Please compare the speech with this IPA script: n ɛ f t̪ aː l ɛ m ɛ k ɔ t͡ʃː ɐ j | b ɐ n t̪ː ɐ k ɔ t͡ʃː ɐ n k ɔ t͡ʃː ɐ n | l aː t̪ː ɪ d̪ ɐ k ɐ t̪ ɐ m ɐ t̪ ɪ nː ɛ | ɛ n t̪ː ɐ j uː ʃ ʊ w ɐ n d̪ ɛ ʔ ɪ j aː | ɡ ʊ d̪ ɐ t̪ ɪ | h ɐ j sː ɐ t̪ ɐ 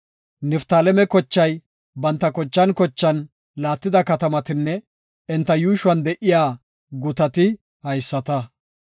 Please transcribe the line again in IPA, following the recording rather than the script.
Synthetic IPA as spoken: n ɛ f t̪ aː l ɛ m ɛ k ɔ t͡ʃː ɐ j | b ɐ n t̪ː ɐ k ɔ t͡ʃː ɐ n k ɔ t͡ʃː ɐ n | l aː t̪ː ɪ d̪ ɐ k ɐ t̪ ɐ m ɐ t̪ ɪ nː ɛ | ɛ n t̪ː ɐ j uː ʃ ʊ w ɐ n d̪ ɛ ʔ ɪ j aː | ɡ ʊ t̪ ɐ t̪ ɪ | h ɐ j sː ɐ t̪ ɐ